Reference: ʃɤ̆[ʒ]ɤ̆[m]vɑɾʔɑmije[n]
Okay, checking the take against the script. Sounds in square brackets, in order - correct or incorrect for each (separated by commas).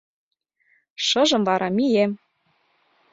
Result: correct, correct, incorrect